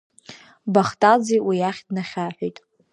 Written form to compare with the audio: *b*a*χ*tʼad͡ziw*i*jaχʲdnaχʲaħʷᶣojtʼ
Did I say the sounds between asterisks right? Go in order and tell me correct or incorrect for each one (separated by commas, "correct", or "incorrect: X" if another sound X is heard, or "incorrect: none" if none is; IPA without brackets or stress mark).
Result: correct, correct, correct